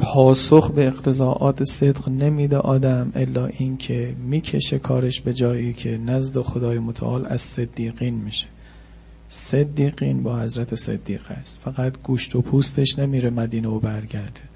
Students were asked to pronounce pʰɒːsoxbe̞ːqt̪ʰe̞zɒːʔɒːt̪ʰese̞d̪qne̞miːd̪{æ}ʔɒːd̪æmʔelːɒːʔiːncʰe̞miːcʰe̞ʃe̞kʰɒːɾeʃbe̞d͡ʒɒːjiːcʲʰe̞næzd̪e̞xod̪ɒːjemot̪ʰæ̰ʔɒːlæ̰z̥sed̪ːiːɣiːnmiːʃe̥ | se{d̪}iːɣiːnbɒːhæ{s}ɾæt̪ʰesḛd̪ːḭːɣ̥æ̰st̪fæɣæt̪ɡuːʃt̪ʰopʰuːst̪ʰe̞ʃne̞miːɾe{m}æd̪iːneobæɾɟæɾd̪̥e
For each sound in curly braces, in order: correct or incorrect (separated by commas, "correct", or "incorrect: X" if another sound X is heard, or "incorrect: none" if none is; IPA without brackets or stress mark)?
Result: incorrect: e, incorrect: d̪ː, incorrect: z, correct